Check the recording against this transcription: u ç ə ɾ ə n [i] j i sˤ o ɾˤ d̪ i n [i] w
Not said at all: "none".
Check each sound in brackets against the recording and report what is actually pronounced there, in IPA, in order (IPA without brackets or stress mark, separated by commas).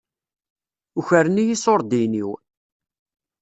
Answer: i, i